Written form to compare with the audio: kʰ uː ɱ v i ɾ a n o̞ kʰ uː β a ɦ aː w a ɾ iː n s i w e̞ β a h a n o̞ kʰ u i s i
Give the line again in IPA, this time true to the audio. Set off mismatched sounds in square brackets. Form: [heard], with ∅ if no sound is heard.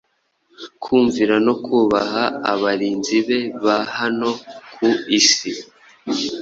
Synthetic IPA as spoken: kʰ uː ɱ v i ɾ a n o̞ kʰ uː β a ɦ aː [β] a ɾ iː n [z] i [β] e̞ β a h a n o̞ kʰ u i s i